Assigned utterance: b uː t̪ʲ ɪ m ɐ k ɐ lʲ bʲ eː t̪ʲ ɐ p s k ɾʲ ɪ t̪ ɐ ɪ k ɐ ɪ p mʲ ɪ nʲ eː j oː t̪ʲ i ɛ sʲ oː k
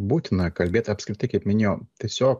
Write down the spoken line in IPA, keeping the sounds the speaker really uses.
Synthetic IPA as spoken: b uː t̪ʲ ɪ n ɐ k ɐ lʲ bʲ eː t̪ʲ ɐ p s k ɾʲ ɪ t̪ ɐ ɪ k ɐ ɪ p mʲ ɪ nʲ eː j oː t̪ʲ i ɛ sʲ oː k